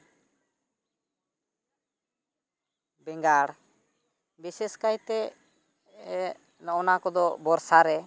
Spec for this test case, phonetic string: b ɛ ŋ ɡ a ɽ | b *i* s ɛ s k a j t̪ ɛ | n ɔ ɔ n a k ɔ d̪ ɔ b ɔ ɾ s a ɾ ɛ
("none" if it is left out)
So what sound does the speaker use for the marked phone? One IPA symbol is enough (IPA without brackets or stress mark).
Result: i